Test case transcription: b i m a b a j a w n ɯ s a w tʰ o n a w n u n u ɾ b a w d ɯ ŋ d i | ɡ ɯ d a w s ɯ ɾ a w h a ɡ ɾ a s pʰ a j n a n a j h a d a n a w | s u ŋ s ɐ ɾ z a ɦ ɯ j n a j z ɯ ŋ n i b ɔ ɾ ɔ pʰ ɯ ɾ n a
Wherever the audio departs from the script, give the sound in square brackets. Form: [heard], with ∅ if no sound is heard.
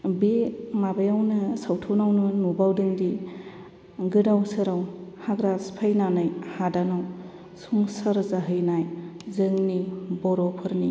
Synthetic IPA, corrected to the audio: b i m a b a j a w n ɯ s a w tʰ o n a w n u n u [∅] b a w d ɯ ŋ d i | ɡ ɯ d a w s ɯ ɾ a w h a ɡ ɾ a s pʰ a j n a n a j h a d a n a w | s u ŋ s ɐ ɾ z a ɦ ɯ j n a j z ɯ ŋ n i b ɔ ɾ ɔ pʰ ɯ ɾ n [i]